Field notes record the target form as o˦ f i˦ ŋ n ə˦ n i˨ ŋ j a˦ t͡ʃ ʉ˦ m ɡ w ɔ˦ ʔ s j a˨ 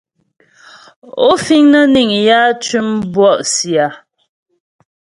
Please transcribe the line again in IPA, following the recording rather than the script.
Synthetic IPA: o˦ f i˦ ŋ n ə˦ n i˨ ŋ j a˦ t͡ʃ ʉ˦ m b w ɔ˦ ʔ s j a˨